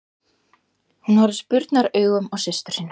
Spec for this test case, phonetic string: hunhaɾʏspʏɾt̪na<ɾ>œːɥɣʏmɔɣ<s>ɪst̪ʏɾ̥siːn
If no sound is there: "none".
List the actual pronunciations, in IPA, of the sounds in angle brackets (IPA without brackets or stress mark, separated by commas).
ɾ, s